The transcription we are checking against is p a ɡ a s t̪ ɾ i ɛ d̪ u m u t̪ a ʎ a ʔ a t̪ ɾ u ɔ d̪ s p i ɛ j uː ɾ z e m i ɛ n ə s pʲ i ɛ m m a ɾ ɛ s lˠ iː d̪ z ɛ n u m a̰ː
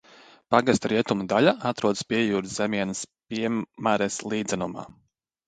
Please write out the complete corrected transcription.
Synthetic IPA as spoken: p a ɡ a s t̪ ɾ i ɛ t̪ u m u d̪ a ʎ a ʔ a t̪ ɾ u ɔ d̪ s p i ɛ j uː ɾ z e m i ɛ n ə s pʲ i ɛ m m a ɾ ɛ s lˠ iː d̪ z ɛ n u m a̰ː